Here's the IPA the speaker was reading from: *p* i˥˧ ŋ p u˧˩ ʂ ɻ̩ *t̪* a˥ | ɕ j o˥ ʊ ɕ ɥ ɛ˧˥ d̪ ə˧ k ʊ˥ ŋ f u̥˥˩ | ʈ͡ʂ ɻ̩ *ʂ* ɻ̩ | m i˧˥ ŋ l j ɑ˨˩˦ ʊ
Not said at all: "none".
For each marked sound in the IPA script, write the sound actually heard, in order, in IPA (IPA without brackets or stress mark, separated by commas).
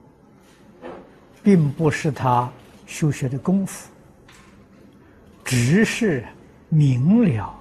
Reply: p, t̪ʰ, ʂ